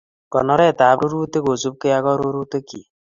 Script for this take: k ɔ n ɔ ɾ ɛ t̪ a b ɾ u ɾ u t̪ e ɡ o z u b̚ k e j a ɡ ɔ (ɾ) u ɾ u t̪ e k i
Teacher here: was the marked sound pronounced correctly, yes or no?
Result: yes